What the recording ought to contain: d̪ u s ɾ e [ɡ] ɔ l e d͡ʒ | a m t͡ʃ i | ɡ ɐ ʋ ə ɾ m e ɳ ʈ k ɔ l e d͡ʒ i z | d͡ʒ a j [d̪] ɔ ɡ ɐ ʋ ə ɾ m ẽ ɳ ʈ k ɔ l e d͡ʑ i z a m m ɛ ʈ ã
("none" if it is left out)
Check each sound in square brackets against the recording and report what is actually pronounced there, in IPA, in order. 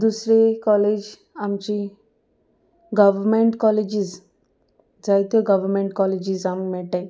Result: k, t̪

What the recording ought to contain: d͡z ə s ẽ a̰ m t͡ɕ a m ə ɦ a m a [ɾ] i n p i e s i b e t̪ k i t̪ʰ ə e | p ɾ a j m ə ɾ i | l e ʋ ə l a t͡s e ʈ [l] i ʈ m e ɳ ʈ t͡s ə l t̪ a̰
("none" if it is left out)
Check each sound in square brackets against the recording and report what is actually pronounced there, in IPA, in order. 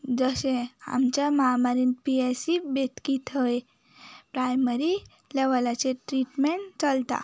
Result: ɾ, ɾ

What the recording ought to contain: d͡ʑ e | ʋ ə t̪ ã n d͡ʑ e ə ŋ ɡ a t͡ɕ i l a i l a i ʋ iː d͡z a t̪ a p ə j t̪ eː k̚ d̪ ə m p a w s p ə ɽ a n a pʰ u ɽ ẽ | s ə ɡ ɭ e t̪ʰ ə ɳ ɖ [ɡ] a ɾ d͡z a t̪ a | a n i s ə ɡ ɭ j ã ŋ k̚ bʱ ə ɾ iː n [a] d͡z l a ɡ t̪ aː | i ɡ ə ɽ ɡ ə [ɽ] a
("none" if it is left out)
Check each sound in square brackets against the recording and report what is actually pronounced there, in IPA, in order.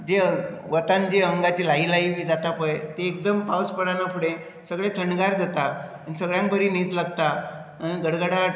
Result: ɡ, i, ɽ

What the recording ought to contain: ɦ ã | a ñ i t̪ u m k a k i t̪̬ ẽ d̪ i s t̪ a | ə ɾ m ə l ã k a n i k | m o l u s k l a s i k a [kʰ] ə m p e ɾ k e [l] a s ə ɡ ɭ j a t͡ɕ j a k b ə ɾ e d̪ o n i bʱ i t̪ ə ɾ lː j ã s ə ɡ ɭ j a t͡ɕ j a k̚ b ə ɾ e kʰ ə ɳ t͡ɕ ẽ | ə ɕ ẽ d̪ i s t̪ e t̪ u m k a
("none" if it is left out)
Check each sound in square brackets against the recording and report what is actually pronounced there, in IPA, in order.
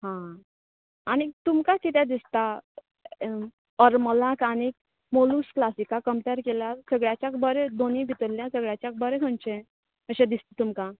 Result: k, l

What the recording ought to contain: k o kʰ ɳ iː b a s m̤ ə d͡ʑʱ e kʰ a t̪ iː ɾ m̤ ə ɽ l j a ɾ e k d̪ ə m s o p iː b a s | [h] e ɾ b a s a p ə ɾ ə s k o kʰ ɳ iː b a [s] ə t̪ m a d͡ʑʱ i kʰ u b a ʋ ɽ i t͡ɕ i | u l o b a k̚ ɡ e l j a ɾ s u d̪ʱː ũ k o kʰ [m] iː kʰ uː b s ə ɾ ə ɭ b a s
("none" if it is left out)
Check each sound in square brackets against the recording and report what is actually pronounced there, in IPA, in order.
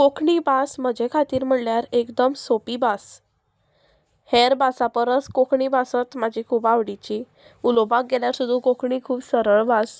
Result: h, s, ɳ

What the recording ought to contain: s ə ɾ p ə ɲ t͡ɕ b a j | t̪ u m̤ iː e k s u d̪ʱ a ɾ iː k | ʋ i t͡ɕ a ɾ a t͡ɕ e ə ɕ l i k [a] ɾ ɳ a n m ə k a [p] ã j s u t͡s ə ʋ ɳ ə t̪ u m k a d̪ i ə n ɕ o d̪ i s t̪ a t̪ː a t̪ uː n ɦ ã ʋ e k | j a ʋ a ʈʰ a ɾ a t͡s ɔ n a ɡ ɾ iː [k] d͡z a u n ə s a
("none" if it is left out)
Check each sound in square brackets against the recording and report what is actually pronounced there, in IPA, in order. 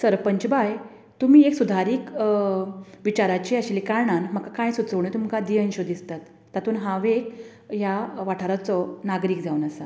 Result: a, k, k

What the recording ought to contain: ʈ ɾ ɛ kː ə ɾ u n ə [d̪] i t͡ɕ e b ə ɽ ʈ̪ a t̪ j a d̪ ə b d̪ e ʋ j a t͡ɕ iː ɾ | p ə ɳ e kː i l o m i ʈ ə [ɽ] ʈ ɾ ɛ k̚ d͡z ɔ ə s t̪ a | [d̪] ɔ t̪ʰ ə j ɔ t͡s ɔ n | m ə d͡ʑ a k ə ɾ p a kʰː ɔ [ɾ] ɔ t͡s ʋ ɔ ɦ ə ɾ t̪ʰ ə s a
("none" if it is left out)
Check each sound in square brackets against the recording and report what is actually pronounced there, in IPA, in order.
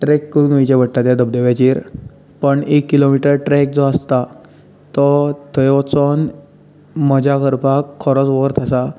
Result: none, ɾ, t̪, ɾ

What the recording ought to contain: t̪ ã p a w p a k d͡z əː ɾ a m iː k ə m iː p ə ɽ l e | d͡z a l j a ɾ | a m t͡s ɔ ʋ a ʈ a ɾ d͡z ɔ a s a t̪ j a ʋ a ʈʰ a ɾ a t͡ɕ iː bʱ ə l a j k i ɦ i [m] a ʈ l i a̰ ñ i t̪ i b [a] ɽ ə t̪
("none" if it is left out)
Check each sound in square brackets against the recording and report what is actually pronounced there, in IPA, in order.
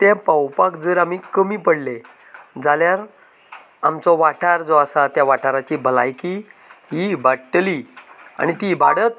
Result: b, a

